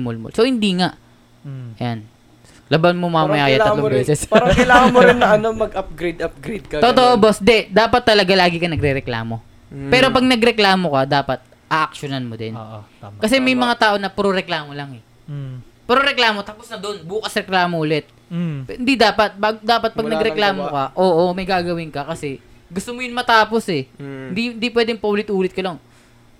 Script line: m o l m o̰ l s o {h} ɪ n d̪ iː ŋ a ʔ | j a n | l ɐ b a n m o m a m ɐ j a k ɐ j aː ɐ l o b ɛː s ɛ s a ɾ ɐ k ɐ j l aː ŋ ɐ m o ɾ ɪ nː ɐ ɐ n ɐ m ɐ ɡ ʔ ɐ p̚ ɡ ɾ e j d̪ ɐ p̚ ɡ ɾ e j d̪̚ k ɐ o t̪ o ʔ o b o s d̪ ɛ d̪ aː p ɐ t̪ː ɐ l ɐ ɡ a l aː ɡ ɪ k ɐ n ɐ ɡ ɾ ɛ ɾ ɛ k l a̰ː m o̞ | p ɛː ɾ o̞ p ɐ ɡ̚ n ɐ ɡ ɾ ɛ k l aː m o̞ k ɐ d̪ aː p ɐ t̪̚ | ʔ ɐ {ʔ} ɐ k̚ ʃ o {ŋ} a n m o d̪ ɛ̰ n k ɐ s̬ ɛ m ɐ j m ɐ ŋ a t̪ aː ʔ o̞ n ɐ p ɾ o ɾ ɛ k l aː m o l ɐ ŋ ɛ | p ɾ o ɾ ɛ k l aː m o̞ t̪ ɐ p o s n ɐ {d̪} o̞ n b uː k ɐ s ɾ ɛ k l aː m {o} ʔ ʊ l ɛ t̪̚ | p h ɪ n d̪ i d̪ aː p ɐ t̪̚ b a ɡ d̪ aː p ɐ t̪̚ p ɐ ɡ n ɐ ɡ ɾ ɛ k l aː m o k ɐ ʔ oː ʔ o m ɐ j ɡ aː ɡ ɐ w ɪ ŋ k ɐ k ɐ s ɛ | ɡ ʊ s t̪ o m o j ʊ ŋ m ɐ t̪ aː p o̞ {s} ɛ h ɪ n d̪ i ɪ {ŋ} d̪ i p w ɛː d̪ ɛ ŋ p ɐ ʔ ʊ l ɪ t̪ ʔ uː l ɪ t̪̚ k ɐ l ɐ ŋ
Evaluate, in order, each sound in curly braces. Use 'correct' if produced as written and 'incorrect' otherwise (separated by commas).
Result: correct, correct, incorrect, correct, correct, correct, incorrect